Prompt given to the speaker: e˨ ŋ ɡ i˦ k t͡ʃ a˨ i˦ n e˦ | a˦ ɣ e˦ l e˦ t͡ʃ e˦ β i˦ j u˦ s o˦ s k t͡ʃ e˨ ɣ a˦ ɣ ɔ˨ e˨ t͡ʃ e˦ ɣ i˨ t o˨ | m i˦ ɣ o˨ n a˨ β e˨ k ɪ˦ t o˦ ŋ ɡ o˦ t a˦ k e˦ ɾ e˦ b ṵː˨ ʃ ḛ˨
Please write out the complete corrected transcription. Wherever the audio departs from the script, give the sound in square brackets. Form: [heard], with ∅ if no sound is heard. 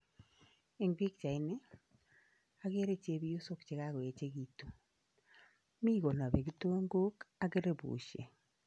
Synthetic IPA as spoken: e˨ ŋ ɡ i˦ k t͡ʃ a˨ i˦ n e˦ | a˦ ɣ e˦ [ɾ] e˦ t͡ʃ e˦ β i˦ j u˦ s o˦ [∅] k t͡ʃ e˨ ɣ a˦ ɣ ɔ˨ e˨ t͡ʃ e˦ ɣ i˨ t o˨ | m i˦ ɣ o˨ n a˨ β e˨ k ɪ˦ t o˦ ŋ ɡ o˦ [k] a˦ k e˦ ɾ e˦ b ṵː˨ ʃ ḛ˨